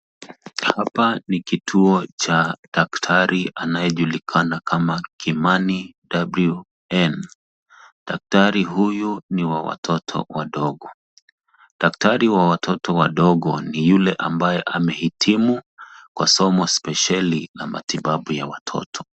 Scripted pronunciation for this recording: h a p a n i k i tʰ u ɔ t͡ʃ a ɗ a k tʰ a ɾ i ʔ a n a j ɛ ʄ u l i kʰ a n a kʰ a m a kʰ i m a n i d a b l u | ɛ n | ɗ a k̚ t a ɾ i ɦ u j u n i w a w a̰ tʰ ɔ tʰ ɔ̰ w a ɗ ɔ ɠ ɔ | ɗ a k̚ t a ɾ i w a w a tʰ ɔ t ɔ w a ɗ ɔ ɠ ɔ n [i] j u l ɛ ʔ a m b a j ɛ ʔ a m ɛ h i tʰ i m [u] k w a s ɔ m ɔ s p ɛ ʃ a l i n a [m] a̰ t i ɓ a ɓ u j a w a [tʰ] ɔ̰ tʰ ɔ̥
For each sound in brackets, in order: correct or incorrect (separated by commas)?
correct, correct, correct, correct